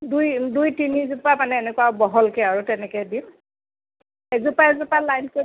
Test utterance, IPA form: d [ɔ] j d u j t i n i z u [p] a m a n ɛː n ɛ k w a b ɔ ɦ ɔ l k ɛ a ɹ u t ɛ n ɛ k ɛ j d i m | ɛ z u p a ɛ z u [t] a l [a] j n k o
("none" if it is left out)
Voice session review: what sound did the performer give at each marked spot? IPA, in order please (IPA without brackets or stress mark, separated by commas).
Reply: u, p, p, a